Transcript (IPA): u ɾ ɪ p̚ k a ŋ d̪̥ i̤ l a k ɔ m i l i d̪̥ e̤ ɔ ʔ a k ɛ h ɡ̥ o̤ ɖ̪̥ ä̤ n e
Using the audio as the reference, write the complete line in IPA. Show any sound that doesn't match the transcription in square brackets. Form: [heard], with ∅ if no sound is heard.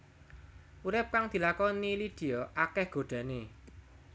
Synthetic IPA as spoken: u ɾ ɪ p̚ k a ŋ d̪̥ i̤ l a k ɔ [n] i l i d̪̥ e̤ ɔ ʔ a k ɛ h ɡ̥ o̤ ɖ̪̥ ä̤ n e